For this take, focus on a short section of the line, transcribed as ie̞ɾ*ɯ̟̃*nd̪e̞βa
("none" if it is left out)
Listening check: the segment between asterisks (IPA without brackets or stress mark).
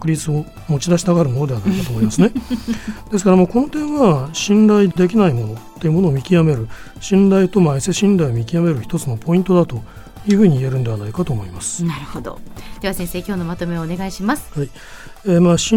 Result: ɯ̟